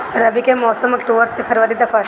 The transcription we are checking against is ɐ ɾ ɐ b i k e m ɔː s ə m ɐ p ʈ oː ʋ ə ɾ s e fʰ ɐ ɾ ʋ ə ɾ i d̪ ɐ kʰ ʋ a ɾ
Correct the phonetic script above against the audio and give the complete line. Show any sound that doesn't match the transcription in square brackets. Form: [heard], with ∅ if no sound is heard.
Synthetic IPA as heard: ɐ ɾ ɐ b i k e m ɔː s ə m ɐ [k] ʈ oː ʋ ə ɾ s e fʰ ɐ ɾ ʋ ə ɾ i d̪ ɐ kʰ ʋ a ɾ